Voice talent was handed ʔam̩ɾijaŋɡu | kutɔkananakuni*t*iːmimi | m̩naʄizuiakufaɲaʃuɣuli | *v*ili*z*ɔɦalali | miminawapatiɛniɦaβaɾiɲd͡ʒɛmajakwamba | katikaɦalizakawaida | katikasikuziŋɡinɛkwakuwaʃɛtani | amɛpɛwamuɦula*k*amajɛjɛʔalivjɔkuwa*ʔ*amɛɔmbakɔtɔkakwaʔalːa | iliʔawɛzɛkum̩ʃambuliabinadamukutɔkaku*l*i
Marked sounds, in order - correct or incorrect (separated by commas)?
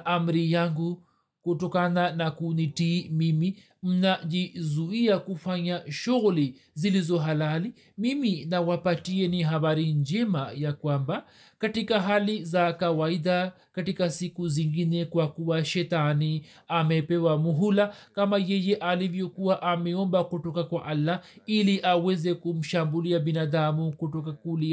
correct, incorrect, correct, correct, correct, correct